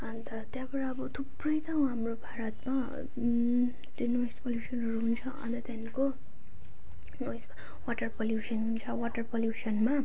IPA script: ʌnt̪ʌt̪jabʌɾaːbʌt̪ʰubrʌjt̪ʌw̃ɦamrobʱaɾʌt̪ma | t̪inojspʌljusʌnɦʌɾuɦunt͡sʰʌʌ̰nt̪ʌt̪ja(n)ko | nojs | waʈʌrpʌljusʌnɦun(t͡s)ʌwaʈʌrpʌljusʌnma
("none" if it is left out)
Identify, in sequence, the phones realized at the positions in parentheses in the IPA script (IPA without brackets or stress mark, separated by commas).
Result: n, t͡sʰ